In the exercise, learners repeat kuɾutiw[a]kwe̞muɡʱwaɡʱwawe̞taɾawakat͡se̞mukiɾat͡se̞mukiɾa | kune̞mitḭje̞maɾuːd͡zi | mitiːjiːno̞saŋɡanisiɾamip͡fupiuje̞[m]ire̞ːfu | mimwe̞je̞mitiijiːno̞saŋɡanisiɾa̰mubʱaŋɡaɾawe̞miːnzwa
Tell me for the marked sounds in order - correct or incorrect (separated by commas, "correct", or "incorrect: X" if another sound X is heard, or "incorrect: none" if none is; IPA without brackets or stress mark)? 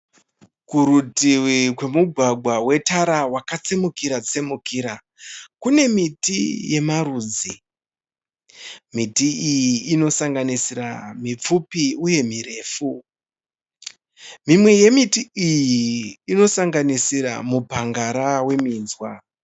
incorrect: i, correct